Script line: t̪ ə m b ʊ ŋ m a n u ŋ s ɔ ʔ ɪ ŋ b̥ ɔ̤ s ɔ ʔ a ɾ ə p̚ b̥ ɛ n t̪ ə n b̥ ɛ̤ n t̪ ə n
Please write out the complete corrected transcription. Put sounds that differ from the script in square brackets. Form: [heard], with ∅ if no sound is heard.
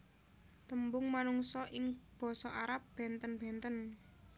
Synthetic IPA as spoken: t̪ ə m b ʊ ŋ m a n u ŋ s ɔ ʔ ɪ ŋ b̥ ɔ̤ s ɔ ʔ a ɾ [a] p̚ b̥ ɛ n t̪ ə n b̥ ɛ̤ n t̪ ə n